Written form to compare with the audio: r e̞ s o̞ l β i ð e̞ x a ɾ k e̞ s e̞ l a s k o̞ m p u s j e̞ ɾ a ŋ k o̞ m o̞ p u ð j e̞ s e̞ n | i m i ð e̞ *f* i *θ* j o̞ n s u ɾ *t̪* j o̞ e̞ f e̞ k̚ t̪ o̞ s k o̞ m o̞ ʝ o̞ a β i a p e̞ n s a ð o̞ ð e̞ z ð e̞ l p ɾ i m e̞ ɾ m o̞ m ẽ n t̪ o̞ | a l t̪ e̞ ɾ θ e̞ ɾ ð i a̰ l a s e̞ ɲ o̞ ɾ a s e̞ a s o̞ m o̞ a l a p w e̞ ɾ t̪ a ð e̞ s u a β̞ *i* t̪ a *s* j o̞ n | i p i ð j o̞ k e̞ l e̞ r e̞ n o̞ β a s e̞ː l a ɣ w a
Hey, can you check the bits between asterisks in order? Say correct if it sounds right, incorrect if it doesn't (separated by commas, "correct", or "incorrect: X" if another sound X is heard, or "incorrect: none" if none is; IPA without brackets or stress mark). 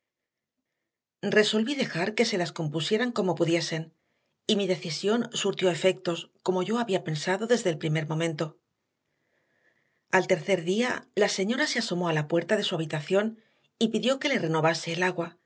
incorrect: θ, incorrect: s, correct, correct, incorrect: θ